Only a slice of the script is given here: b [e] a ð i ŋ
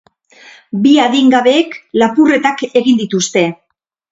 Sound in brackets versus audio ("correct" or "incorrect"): incorrect